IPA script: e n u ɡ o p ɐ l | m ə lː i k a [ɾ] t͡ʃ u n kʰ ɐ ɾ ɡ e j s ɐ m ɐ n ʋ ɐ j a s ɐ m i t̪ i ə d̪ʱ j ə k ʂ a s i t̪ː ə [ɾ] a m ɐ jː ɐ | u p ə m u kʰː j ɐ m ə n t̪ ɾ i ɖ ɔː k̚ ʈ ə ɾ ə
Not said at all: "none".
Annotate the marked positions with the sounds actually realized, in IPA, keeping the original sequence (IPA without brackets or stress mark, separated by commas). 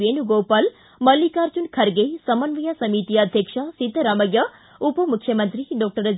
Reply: ɾ, ɾ